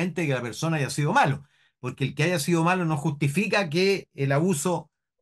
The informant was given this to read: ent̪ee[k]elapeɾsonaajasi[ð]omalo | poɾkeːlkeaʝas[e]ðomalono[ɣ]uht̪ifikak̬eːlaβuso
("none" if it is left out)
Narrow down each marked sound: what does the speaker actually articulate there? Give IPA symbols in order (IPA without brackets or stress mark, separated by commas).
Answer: k, ð, i, x